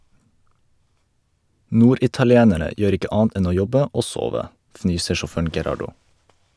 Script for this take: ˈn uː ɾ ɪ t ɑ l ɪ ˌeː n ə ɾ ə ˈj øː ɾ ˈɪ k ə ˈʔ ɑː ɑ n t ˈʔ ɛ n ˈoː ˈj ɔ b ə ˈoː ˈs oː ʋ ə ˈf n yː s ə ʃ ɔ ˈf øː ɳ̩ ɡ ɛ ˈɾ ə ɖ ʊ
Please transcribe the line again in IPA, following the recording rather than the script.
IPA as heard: ˈn uː ɾ ɪ t ɑ l ɪ ˌeː n ə ɾ ə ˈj øː ɾ ˈɪ k ə ˈʔ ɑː ɑ n t ˈʔ ɛ n ˈoː ˈj ɔ b ə ˈoː ˈs oː ʋ ə ˈf n yː s ə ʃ ɔ ˈf øː ɳ̩ ɡ ɛ ˈɾ ɑ ɖ ʊ

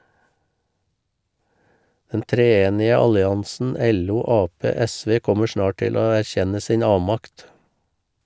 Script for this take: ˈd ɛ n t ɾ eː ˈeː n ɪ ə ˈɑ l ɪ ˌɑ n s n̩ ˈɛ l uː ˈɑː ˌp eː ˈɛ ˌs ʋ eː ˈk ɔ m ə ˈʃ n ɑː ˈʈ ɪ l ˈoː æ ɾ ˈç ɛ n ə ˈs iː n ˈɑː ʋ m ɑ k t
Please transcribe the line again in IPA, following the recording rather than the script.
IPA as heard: ˈd ɛ n t ɾ eː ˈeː n ɪ ə ˈɑ l ɪ ˌɑ n s n̩ ˈɛ l uː ˈɑː ˌp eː ˈɛ ˌs ʋ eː ˈk ɔ m ə ˈʃ n ɑː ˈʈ ɪ l ˈoː æ ɾ ˈç ɛ n ə ˈs iː n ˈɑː ʋ m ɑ k t

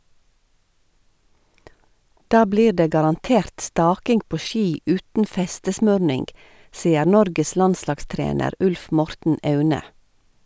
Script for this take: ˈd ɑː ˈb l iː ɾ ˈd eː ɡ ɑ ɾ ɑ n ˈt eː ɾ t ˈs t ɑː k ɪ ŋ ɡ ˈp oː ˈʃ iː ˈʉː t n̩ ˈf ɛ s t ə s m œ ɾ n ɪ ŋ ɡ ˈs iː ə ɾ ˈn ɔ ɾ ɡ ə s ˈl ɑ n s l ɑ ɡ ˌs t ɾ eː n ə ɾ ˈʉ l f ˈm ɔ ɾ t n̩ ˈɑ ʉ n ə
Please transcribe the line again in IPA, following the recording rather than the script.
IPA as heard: ˈd ɑː ˈb l iː ɾ ˈd eː ɡ ɑ ɾ ɑ n ˈt eː ɾ t ˈs t ɑː k ɪ ŋ ɡ ˈp oː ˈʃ iː ˈʉː t n̩ ˈf ɛ s t ə s m œ ɾ n ɪ ŋ ɡ ˈs iː ə ɾ ˈn ɔ ɾ ɡ ə s ˈl ɑ n s l ɑ ɡ ˌs t ɾ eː n ə ɾ ˈʉ l f ˈm ɔ ɾ t n̩ ˈɑ ʉ n ə

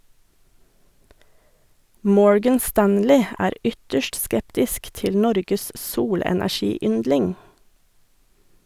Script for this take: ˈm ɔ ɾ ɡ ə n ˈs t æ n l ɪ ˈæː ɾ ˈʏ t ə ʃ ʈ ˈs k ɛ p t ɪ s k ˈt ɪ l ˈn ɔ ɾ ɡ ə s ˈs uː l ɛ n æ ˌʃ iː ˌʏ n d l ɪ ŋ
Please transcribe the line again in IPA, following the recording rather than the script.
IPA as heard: ˈm ɔ ɹ ɡ ə n ˈs t æ n l ɪ ˈæː ɾ ˈʏ t ə ʃ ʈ ˈs k ɛ p t ɪ s k ˈt ɪ l ˈn ɔ ɾ ɡ ə s ˈs uː l ɛ n æ ˌʃ iː ˌʏ n d l ɪ ŋ

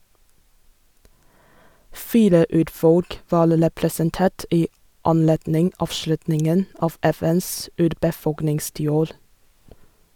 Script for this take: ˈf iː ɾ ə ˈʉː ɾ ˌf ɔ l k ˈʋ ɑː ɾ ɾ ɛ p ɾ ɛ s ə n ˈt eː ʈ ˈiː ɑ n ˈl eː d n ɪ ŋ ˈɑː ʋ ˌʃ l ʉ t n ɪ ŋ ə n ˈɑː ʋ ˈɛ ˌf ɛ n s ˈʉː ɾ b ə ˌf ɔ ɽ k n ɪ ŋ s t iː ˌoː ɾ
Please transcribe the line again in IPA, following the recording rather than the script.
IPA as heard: ˈf iː ɾ ə ˈʉː ɾ ˌf ɔ l k ˈʋ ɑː ɾ ɾ ɛ p ɾ ɛ s ə n ˈt eː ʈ ˈiː ɑ n ˈl eː d n ɪ ŋ ˈɑː ʋ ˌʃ l ʉ t n ɪ ŋ ə n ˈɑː ʋ ˈɛ ˌf ɛ n s ˈʉː ɾ b ə ˌf ɔ l k n ɪ ŋ s t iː ˌoː ɾ

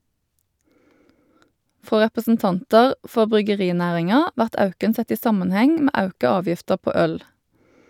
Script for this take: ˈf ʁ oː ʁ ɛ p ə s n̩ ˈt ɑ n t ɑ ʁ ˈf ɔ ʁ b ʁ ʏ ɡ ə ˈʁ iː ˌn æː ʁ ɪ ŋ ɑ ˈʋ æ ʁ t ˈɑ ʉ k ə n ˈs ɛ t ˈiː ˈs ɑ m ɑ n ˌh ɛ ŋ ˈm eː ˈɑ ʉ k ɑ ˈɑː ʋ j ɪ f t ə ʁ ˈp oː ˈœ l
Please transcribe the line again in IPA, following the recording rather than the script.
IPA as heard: ˈf ʁ oː ʁ ɛ p ə s n̩ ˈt ɑ n t ɑ ʁ ˈf ɔ ʁ b ʁ ʏ ɡ ə ˈʁ iː ˌn æː ʁ ɪ ŋ ɑ ˈʋ æ ʁ t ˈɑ ʉ k ə n ˈs ɛ t ˈiː ˈs ɑ m ɑ n ˌh ɛ ŋ ˈm eː ˈɑ ʉ k ɑ ˈɑː ʋ j ɪ f t ə ʁ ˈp oː ˈœ l

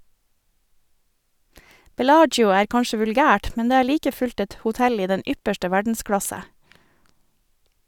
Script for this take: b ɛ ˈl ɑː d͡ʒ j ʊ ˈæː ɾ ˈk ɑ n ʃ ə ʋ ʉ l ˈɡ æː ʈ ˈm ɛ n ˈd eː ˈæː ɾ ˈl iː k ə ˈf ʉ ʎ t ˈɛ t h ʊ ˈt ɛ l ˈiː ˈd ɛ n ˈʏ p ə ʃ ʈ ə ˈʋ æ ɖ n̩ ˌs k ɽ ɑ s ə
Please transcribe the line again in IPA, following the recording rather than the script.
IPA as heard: b ɛ ˈl ɑː d͡ʒ j ʊ ˈæː ɾ ˈk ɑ n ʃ ə ʋ ʉ l ˈɡ æː ʈ ˈm ɛ n ˈd eː ˈæː ɾ ˈl iː k ə ˈf ʉ ʎ t ˈɛ t h ʊ ˈt ɛ l ˈiː ˈd ɛ n ˈʏ p ə ʃ ʈ ə ˈʋ æ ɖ n̩ ˌs k ɽ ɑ s ə

